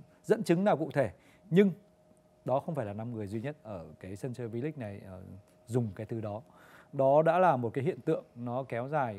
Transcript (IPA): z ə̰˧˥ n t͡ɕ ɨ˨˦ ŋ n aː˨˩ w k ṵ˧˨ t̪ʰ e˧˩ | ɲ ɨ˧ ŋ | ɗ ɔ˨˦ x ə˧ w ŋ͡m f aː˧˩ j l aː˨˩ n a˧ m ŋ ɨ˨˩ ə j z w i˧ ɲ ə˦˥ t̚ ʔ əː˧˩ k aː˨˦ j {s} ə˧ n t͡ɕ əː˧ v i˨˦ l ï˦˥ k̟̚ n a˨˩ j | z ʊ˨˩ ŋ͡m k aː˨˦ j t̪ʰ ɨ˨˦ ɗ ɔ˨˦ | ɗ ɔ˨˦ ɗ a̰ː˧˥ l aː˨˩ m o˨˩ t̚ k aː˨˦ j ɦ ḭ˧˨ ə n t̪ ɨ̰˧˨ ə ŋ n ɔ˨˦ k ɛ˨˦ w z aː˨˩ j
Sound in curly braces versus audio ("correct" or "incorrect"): correct